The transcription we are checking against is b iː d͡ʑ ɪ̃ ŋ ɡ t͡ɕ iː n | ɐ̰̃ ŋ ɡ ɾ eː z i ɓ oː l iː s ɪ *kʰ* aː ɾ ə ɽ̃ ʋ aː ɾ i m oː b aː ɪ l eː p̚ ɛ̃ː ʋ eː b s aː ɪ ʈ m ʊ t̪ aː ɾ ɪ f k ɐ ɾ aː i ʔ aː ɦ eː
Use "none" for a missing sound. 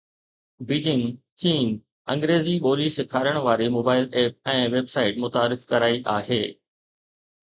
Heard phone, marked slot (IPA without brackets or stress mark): kʰ